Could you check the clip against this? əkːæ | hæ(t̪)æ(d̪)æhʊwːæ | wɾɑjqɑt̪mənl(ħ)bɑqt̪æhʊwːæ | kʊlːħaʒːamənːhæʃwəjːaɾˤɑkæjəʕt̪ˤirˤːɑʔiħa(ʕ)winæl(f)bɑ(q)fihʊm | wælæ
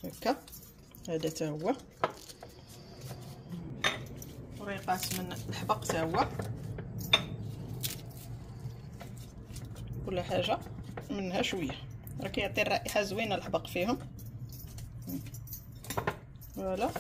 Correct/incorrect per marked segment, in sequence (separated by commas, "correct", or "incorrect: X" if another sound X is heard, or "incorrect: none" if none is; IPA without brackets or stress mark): incorrect: d̪, incorrect: t̪, correct, incorrect: z, incorrect: ħ, correct